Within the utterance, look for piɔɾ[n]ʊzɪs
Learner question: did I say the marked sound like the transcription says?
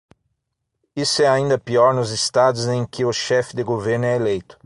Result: yes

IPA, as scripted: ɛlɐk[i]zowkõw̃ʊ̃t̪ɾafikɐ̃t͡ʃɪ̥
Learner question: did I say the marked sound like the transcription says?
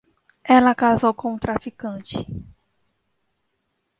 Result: no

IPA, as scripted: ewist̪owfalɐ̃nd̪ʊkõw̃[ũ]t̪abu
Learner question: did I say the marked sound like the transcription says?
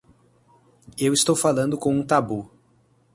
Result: yes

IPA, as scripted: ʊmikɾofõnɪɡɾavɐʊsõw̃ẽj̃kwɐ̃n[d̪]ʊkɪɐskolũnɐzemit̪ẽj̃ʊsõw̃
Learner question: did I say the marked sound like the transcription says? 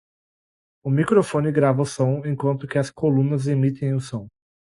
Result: no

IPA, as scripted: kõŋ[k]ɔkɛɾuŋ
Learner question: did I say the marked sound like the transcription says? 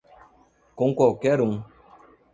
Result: yes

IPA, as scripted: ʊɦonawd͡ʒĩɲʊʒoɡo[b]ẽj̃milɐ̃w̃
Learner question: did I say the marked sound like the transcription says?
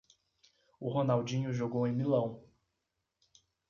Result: no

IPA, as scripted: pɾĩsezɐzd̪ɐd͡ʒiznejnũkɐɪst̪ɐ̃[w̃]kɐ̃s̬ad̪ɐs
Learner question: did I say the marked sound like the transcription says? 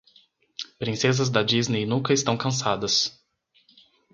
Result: yes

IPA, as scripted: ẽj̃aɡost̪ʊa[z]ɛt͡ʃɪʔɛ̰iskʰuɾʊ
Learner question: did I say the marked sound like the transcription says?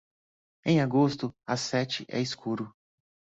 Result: no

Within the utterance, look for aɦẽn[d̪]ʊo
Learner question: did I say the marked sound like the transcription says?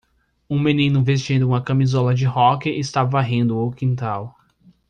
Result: yes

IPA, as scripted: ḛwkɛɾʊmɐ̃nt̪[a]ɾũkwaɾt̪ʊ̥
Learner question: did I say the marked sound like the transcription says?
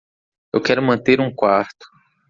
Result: no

